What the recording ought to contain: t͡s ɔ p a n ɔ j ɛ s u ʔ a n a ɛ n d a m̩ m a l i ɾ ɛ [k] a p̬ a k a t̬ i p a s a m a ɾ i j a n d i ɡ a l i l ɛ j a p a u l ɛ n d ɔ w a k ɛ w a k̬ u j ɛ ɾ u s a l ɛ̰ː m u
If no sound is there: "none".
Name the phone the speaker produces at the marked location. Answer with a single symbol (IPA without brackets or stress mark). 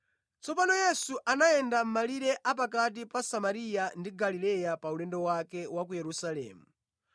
ʔ